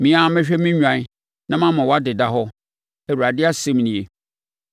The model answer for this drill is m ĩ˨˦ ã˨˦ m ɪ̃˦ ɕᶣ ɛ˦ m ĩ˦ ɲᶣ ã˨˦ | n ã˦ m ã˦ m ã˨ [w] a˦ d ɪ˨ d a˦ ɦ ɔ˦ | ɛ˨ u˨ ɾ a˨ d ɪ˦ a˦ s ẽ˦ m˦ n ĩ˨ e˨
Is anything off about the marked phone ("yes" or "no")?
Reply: no